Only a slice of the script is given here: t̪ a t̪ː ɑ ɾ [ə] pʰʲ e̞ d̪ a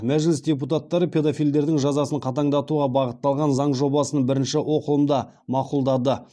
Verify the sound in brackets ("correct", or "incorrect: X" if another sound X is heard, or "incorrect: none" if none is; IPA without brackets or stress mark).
correct